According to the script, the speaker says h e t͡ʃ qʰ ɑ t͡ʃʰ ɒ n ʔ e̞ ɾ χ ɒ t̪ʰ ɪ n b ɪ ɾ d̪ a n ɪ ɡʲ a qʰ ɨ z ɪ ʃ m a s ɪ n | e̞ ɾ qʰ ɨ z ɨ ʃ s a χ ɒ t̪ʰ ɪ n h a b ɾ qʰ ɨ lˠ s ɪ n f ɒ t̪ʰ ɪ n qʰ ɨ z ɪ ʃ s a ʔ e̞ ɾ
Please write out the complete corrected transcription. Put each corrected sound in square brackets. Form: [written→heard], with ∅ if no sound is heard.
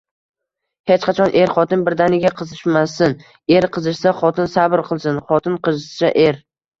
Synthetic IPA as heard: h e t͡ʃ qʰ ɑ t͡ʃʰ ɒ n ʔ e̞ ɾ χ ɒ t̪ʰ ɪ n b ɪ ɾ d̪ a n ɪ ɡʲ a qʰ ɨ z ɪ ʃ m a s ɪ n | e̞ ɾ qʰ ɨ z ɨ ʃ s a χ ɒ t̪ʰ ɪ n [h→s] a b ɾ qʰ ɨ lˠ s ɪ n [f→χ] ɒ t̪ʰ ɪ n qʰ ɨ z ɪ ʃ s a ʔ e̞ ɾ

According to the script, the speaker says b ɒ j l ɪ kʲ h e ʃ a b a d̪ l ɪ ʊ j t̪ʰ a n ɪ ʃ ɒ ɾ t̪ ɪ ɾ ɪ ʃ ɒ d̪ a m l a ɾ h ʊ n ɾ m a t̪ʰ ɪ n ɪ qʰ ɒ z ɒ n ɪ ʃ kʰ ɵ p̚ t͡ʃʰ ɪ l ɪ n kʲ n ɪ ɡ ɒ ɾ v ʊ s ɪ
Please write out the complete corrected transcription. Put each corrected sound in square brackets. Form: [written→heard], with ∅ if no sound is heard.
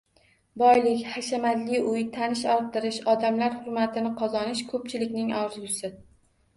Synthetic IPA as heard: b ɒ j l ɪ kʲ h [e→a] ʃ a [b→m] a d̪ l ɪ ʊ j t̪ʰ a n ɪ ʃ ɒ ɾ t̪ ɪ ɾ ɪ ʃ ɒ d̪ a m l a ɾ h ʊ [n→∅] ɾ m a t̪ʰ ɪ n ɪ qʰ ɒ z ɒ n ɪ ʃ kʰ ɵ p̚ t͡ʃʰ ɪ l ɪ [n→∅] kʲ n ɪ [ɡ→ŋ] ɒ ɾ [v→z] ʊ s ɪ

